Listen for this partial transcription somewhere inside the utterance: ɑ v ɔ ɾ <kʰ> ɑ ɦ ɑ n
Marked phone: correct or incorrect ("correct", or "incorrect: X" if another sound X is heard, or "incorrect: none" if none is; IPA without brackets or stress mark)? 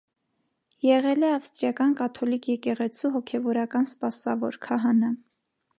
correct